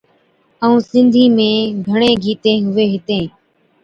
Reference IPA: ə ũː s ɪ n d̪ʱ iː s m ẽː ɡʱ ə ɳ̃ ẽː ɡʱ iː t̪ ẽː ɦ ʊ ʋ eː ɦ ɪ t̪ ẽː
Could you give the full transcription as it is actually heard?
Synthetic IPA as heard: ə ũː s ɪ n d̪ʱ iː m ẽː ɡʱ ə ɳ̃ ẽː ɡʱ iː t̪ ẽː ɦ ʊ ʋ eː ɦ ɪ t̪ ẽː